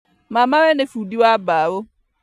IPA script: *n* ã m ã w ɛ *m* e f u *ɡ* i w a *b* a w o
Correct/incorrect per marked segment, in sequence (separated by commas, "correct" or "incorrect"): incorrect, incorrect, incorrect, correct